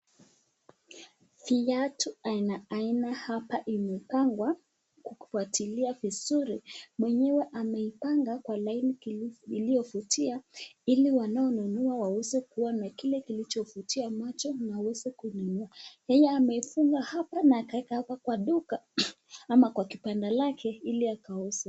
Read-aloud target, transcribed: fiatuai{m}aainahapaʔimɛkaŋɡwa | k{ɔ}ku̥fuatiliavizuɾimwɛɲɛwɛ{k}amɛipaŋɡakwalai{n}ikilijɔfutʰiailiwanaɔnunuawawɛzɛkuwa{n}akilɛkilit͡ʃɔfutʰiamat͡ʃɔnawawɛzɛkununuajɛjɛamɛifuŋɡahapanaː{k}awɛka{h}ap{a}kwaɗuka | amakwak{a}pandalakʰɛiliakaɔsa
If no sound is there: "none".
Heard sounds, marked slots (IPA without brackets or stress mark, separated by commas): n, u, ʔ, n, n, k, h, a, i